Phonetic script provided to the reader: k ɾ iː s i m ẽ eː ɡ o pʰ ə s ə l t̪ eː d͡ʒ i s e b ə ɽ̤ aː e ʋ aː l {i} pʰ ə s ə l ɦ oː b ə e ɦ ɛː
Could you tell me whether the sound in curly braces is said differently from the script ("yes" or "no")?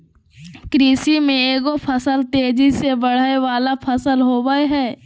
yes